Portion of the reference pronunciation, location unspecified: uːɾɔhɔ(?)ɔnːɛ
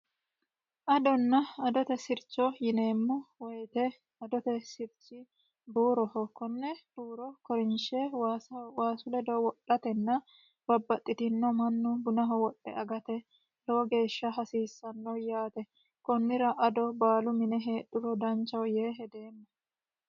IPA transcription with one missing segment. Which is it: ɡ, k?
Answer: k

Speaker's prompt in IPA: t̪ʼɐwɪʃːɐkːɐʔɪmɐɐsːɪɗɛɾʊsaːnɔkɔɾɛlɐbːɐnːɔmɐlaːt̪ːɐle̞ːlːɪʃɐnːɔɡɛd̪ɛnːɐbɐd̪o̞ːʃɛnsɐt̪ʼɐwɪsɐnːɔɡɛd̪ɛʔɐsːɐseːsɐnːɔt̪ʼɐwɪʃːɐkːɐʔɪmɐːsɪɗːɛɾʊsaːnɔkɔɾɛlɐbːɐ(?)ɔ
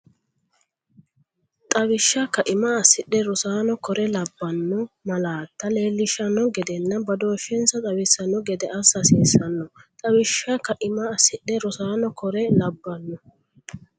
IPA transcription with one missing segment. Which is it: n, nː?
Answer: nː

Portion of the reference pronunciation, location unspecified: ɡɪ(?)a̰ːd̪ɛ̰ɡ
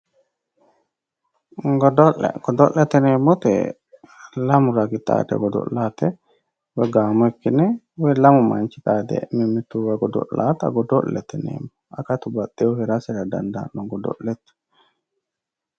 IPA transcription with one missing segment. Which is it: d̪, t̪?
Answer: t̪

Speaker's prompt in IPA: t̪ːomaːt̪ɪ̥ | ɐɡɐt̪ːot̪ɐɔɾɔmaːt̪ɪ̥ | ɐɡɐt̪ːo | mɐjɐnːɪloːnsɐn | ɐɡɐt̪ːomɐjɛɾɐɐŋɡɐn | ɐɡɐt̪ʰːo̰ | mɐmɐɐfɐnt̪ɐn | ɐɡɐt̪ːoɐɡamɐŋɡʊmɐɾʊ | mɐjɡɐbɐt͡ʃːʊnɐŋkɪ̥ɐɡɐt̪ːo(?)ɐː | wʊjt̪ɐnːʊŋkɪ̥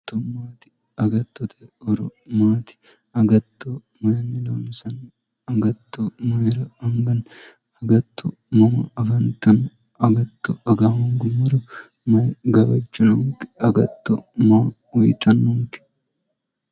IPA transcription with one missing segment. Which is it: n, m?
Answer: m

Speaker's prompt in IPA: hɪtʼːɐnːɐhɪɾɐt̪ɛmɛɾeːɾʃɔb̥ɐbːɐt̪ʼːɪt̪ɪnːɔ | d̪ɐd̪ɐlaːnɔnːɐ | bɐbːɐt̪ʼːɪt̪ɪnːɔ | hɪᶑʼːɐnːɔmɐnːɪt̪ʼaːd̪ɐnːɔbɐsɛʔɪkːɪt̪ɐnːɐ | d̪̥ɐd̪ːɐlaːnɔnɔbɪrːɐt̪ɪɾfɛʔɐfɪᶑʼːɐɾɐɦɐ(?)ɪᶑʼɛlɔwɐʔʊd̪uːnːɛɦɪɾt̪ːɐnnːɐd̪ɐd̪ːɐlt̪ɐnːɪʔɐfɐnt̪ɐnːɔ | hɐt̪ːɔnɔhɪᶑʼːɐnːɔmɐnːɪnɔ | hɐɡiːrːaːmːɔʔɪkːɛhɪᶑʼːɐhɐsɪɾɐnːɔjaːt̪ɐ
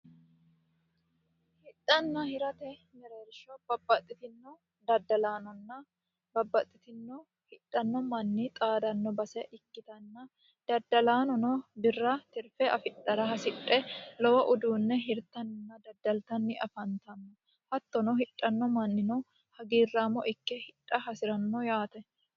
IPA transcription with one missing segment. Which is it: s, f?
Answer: s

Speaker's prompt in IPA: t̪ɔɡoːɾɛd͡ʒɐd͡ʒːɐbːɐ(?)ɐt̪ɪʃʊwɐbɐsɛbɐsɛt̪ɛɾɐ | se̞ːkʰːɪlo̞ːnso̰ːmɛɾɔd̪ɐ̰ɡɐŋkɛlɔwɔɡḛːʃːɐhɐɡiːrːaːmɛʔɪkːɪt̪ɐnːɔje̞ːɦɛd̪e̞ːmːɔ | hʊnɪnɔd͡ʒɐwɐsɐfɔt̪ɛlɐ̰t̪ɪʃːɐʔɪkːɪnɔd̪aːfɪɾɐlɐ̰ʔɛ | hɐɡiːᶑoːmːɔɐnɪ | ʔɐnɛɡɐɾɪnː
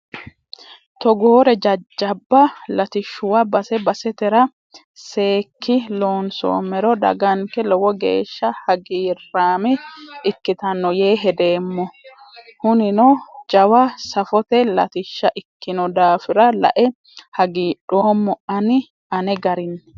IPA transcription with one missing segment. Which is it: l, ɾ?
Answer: l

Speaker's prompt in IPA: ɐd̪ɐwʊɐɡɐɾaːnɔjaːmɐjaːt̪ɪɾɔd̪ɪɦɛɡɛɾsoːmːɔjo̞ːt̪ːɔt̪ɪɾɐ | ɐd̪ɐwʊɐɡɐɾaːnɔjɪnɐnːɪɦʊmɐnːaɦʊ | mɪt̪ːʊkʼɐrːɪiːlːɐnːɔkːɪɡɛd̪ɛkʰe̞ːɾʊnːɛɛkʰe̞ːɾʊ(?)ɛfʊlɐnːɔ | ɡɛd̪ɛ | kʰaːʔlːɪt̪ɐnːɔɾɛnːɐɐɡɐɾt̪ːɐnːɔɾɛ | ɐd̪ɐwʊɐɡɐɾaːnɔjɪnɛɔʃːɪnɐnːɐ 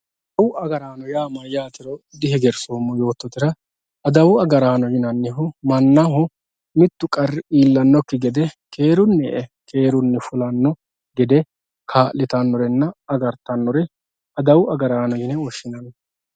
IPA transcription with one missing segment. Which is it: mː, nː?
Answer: nː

